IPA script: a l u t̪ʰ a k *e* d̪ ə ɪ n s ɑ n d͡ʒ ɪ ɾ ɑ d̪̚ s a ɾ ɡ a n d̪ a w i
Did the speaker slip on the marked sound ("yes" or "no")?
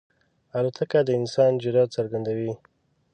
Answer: yes